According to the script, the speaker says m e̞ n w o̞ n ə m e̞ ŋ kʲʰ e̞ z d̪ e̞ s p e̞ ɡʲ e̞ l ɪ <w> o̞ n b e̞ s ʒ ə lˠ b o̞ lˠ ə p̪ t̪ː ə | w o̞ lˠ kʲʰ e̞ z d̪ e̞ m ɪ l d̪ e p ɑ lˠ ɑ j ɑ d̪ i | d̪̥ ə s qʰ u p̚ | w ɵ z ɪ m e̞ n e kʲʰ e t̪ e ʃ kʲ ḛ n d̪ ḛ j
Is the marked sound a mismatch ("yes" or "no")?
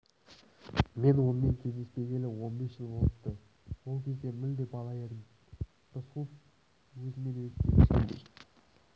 no